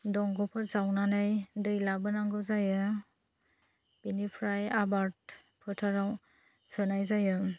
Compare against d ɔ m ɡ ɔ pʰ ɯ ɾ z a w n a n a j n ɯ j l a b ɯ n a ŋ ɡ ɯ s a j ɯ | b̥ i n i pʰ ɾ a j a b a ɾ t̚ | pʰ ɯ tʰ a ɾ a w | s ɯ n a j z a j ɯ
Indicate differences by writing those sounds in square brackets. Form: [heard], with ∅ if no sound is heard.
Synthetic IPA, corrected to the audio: d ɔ [ŋ] ɡ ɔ pʰ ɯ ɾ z a w n a n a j [d] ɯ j l a b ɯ n a ŋ ɡ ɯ [z] a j ɯ | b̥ i n i pʰ ɾ a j a b a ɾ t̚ | pʰ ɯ tʰ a ɾ a w | s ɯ n a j z a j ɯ